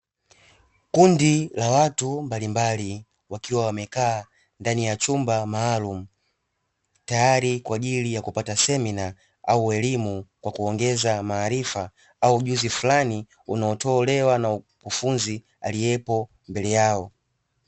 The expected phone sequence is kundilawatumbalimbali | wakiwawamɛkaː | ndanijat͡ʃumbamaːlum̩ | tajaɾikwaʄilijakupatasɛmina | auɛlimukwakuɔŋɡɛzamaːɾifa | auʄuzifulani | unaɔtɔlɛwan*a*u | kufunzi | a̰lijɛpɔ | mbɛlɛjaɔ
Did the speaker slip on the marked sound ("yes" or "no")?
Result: no